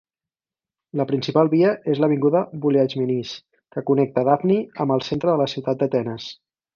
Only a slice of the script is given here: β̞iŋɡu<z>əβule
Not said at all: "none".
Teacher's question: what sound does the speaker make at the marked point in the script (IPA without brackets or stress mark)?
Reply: ð